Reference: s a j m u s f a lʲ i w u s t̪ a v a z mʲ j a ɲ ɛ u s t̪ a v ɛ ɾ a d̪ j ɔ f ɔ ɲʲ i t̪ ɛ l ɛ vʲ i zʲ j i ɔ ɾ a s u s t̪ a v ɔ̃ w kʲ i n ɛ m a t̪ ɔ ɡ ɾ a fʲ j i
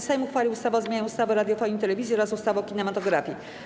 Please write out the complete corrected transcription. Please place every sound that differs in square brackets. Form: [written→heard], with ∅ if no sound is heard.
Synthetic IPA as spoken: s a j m u [s→x] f a lʲ i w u s t̪ a v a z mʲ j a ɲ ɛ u s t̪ a v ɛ ɾ a d̪ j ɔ f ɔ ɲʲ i t̪ ɛ l ɛ vʲ i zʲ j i ɔ ɾ a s u s t̪ a v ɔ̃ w kʲ i n ɛ m a t̪ ɔ ɡ ɾ a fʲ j i